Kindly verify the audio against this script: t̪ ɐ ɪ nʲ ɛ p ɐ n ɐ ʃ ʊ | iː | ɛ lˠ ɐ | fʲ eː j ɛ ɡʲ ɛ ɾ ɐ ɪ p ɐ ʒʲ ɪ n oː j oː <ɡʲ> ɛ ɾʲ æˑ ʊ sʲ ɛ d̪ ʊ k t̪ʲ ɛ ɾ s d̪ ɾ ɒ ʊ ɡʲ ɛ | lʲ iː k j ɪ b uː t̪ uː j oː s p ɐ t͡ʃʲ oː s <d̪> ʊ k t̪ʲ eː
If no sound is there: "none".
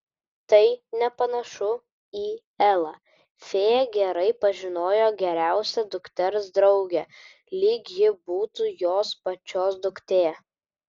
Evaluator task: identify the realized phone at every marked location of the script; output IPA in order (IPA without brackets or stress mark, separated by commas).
ɡʲ, d̪